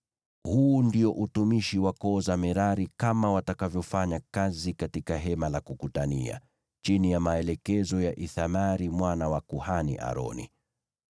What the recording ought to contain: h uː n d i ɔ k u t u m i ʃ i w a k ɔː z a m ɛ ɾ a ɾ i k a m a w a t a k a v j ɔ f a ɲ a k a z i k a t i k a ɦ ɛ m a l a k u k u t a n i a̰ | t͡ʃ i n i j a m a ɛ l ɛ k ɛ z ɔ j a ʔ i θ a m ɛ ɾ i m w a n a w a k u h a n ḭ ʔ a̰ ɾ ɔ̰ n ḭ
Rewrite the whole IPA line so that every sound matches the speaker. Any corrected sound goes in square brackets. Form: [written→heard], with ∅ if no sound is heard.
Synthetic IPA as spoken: h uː n d i ɔ [k→ʔ] u t u m i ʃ i w a k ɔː z a m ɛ ɾ a ɾ i k a m a w a t a k a v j ɔ f a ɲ a k a z i k a t i k a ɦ ɛ m a l a k u k u t a n i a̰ | t͡ʃ i n i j a m a ɛ l ɛ k ɛ z ɔ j a ʔ i θ a m [ɛ→a] ɾ i m w a n a w a k u h a n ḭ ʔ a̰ ɾ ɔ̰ n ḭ